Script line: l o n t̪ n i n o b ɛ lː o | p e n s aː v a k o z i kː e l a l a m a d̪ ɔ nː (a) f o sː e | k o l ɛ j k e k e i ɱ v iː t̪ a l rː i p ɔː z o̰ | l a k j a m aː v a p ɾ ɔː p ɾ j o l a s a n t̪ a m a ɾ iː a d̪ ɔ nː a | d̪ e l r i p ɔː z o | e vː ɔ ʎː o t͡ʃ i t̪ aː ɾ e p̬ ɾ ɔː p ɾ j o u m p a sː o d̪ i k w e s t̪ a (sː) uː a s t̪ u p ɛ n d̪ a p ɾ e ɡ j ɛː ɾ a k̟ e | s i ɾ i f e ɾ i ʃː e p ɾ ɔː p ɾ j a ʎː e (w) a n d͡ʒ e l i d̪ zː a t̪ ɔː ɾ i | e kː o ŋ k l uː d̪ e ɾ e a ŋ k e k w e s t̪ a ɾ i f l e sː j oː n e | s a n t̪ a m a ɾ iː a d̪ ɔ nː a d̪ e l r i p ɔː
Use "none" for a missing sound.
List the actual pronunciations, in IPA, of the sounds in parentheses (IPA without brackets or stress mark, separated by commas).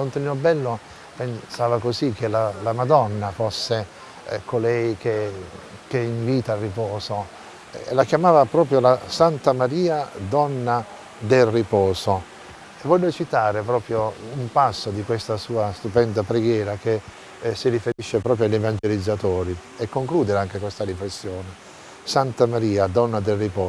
a, s, v